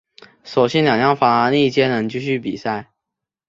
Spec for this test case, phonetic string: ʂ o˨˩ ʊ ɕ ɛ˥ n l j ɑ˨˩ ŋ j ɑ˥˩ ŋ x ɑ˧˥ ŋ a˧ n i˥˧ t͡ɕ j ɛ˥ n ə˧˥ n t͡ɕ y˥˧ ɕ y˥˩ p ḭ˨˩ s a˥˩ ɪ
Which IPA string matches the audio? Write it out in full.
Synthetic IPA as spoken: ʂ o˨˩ ʊ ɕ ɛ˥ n l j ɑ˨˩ ŋ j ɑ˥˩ ŋ f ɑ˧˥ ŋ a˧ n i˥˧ t͡ɕ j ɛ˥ n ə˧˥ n t͡ɕ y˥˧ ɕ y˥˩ p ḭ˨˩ s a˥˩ ɪ